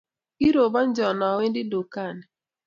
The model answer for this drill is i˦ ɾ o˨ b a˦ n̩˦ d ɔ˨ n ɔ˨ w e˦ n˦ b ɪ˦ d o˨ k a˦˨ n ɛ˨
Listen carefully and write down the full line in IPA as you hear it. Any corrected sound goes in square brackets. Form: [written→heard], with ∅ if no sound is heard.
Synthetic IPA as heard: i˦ ɾ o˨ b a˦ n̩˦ [d→d͡ʒ] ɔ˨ n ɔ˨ w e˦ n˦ [b→d] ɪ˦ d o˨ k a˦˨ n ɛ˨